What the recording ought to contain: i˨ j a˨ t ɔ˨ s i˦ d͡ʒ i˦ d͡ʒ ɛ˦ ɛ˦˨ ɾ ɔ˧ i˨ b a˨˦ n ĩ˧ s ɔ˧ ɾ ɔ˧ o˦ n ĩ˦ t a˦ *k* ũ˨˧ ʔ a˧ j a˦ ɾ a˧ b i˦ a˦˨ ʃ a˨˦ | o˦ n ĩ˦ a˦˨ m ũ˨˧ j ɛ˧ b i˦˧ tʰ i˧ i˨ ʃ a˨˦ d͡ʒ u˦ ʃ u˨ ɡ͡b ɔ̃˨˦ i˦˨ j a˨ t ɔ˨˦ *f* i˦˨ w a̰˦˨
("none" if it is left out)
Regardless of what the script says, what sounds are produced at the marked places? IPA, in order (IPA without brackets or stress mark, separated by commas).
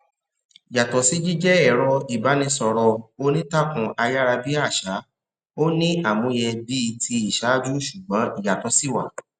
k, s